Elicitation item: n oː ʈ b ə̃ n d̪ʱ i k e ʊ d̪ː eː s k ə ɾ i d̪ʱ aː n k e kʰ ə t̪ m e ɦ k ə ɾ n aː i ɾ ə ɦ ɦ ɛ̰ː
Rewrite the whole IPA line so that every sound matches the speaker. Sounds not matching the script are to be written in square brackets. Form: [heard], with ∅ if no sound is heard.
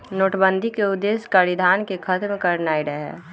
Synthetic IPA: n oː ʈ b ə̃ n d̪ʱ i k e ʊ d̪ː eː s k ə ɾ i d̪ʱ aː n k e kʰ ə t̪ m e [∅] k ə ɾ n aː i ɾ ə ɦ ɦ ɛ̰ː